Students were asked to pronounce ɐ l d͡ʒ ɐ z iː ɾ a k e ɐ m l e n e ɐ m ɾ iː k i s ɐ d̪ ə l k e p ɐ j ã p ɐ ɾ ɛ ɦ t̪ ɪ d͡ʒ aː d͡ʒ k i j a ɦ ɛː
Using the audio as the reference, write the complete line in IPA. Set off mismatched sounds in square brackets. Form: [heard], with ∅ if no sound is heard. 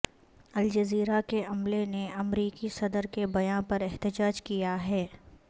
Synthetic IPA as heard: ɐ l d͡ʒ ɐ z iː ɾ a k e ɐ m l e n e ɐ m ɾ iː k i s ɐ d̪ ə [ɾ] k e [b] ɐ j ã p ɐ ɾ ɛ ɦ t̪ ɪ d͡ʒ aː d͡ʒ k i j a ɦ ɛː